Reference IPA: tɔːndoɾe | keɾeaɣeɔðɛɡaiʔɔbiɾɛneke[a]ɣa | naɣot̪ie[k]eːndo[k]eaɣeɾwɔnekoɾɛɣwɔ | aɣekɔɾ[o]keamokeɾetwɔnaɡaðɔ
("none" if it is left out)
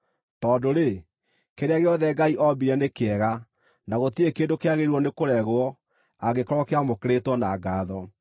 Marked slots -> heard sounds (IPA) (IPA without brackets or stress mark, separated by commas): ɛ, k, k, ɔ